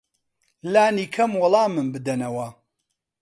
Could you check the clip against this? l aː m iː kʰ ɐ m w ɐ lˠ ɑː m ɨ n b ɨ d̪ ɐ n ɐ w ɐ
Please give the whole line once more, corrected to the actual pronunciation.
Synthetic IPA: l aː n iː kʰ ɐ m w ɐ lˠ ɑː m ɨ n b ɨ d̪ ɐ n ɐ w ɐ